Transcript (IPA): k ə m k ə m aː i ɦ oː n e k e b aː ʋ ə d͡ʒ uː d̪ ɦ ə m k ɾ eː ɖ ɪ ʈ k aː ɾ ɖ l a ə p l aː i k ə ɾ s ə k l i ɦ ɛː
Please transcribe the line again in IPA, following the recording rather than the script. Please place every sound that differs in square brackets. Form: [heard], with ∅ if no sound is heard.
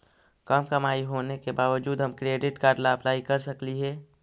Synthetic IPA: k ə m k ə m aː i ɦ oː n e k e b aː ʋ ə d͡ʒ uː d̪ ɦ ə m k ɾ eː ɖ ɪ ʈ k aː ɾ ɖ l a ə p l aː i k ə ɾ s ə k l i ɦ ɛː